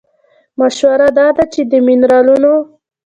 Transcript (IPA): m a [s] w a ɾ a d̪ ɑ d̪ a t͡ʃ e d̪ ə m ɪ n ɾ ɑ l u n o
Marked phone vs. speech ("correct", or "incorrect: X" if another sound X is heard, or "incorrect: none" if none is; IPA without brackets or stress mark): incorrect: ʃ